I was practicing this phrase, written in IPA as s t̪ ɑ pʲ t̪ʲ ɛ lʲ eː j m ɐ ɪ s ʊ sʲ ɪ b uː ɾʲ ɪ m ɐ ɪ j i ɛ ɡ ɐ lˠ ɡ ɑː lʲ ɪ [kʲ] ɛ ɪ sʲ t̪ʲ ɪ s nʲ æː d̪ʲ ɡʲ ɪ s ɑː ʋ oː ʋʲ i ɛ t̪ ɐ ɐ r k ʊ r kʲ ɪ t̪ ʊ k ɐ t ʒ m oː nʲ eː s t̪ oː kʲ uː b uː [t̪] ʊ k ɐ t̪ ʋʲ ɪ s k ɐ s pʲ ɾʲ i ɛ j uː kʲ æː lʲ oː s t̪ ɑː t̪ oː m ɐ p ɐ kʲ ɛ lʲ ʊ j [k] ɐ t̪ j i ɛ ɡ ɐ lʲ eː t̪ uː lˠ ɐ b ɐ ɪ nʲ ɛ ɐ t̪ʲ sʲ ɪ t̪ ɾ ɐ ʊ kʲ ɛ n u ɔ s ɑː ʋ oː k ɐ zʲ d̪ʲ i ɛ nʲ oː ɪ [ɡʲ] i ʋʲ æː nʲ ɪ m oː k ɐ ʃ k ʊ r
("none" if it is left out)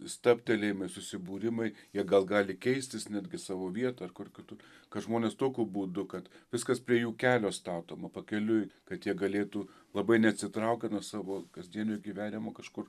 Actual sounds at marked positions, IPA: kʲ, d̪, k, ɡʲ

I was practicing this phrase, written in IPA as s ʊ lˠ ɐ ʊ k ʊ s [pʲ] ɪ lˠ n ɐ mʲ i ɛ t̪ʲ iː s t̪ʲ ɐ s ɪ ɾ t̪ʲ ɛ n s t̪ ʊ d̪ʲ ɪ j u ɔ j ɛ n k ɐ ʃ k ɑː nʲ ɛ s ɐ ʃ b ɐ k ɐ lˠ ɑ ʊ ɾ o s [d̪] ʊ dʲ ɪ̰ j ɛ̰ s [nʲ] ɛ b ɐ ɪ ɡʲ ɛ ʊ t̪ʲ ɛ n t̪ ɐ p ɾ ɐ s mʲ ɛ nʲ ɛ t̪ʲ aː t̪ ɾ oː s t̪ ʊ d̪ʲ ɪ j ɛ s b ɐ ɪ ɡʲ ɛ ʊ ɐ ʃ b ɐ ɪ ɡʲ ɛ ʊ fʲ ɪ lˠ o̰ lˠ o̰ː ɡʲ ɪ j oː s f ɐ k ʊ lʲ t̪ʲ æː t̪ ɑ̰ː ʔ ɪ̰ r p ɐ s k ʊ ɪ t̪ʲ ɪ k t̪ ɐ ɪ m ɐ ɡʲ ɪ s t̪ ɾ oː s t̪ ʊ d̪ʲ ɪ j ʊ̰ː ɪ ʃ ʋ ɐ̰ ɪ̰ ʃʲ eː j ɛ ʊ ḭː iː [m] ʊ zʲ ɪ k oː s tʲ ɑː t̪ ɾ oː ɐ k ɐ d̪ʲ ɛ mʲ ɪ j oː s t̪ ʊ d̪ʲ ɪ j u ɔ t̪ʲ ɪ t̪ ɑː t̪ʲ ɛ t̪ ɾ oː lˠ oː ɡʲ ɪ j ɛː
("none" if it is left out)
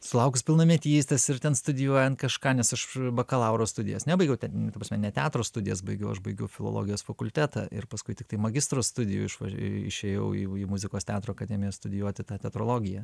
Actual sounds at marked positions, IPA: pʲ, t̪, nʲ, m

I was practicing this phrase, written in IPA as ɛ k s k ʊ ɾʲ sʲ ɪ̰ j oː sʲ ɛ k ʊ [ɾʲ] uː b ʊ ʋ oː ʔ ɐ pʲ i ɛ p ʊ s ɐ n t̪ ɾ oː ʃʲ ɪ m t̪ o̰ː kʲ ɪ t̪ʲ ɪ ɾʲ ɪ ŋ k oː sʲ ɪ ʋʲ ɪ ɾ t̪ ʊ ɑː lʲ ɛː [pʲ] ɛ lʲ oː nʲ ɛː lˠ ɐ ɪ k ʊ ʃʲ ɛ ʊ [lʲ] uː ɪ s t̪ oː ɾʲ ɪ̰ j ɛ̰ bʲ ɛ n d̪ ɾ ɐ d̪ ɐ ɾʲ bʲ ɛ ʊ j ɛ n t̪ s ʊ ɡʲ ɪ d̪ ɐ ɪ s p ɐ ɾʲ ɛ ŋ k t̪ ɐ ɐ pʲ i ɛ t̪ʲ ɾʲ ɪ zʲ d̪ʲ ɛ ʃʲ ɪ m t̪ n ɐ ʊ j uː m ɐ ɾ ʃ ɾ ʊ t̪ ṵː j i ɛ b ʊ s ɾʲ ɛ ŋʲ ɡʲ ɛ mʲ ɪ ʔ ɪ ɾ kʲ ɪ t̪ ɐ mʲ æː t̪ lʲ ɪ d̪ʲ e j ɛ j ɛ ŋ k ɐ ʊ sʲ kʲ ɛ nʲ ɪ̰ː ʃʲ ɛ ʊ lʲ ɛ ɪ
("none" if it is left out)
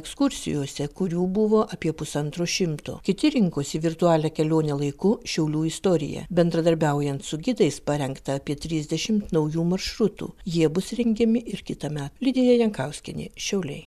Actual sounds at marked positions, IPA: ɾʲ, kʲ, lʲ

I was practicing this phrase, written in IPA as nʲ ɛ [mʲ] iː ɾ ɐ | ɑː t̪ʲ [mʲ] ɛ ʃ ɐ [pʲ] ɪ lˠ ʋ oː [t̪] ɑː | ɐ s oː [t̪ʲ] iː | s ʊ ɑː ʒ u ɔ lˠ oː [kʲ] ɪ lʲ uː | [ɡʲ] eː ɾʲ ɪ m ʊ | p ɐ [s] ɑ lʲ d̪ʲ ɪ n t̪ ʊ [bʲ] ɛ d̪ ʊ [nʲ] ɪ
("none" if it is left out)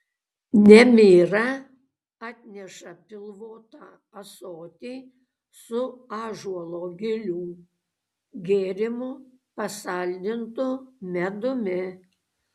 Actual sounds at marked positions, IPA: mʲ, nʲ, pʲ, t̪, t̪ʲ, ɡʲ, ɡʲ, s, mʲ, mʲ

